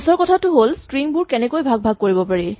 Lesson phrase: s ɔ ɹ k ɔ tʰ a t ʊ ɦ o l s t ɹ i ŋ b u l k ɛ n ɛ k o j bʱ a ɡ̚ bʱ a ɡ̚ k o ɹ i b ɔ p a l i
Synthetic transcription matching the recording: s ɔ ɹ k ɔ tʰ a t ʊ ɦ o l s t ɹ i ŋ b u ɹ k ɛ n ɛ k o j bʱ a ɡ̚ bʱ a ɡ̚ k o ɹ i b ɔ p a ɹ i